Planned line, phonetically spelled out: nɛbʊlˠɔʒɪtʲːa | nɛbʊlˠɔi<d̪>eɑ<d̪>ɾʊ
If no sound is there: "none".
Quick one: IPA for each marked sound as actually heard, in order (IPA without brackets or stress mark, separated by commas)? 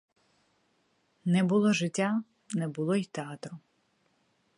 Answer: t̪, t̪